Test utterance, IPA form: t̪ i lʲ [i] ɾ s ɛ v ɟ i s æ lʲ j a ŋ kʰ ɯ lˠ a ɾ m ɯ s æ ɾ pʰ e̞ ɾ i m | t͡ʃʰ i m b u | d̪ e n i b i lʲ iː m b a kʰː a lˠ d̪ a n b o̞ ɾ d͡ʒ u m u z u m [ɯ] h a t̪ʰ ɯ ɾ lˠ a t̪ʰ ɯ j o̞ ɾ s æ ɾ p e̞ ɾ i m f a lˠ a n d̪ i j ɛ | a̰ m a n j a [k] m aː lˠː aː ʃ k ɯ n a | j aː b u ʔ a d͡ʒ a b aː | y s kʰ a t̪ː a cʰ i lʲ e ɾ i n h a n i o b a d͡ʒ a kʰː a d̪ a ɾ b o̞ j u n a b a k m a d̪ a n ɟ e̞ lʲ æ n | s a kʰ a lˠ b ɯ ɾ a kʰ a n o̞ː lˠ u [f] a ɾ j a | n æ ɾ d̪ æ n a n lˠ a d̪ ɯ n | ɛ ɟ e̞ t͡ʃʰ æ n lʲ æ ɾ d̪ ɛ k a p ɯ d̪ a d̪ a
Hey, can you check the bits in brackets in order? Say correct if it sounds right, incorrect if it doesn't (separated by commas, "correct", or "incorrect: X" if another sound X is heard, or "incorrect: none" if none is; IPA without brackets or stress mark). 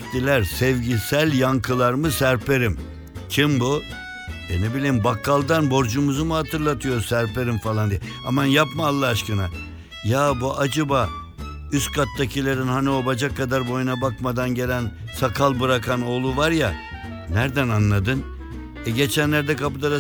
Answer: incorrect: æ, incorrect: u, incorrect: p, incorrect: v